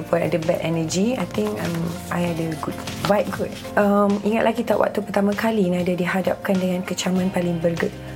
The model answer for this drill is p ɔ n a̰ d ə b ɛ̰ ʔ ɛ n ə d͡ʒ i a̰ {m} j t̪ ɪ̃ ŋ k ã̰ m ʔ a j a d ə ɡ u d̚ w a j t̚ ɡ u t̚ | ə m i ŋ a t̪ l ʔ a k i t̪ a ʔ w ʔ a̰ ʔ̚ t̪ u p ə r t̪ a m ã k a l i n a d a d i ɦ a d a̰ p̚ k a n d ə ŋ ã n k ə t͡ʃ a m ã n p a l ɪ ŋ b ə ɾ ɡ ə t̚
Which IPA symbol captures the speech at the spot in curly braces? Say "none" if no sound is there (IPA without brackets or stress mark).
none